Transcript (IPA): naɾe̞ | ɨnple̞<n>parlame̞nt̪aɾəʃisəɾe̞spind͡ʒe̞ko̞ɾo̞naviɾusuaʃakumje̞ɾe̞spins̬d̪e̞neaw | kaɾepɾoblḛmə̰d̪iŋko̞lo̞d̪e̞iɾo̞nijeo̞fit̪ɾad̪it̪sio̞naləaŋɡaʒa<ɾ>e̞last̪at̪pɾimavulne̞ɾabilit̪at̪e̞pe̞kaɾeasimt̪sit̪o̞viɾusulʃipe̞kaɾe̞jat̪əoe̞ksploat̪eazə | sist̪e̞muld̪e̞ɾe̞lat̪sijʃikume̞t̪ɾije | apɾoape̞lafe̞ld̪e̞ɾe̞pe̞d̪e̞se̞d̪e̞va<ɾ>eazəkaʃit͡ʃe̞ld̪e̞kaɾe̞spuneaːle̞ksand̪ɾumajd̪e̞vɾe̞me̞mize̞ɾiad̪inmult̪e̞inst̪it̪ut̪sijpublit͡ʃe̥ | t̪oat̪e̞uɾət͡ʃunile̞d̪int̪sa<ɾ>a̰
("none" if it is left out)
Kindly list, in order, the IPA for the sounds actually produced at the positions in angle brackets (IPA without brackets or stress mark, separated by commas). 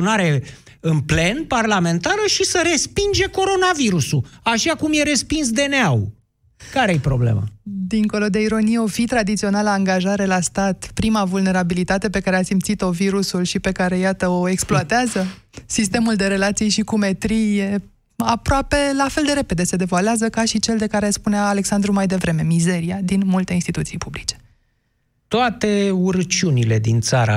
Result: n, ɾ, l, ɾ